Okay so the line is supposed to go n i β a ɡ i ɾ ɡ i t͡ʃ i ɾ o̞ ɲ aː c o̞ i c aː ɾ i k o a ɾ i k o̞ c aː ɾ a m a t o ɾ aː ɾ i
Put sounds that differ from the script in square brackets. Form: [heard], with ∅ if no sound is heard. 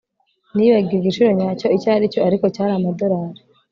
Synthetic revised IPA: n i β a ɡ i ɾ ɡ i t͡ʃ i ɾ o̞ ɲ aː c o̞ i c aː ɾ i [c] o a ɾ i k o̞ c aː ɾ a m a [d] o ɾ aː ɾ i